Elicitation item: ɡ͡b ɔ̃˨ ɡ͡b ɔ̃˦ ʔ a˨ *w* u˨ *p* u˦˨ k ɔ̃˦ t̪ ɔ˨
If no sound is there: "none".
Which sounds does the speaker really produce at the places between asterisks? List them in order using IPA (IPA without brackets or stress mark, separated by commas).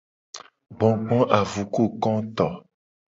v, k